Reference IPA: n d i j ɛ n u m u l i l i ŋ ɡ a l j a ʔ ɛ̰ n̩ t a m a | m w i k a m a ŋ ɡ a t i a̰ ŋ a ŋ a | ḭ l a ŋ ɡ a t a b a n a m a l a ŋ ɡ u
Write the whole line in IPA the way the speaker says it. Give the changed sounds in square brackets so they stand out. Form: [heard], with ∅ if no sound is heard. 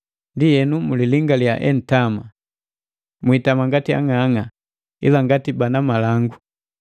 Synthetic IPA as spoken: n d i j ɛ n u m u l i l i ŋ ɡ a l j a ʔ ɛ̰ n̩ t a m a | m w i [t] a m a ŋ ɡ a t i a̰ ŋ a ŋ a | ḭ l a ŋ ɡ a t [i] b a n a m a l a ŋ ɡ u